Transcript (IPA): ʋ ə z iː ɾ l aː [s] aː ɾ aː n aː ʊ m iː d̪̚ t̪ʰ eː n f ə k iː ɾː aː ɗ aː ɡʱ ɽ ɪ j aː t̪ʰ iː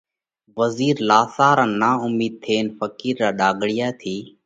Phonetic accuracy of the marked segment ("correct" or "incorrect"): correct